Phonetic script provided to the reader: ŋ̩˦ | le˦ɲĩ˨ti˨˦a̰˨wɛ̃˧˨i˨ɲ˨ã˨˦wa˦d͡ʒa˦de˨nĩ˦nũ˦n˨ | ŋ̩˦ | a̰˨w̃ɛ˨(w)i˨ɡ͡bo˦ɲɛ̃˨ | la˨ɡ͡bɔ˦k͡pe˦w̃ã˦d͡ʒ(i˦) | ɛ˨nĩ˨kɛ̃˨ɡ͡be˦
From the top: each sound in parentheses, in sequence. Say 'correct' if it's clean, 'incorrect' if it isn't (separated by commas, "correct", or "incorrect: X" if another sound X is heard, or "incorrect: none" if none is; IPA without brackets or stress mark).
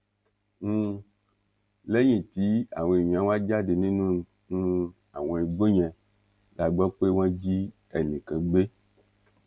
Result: incorrect: none, correct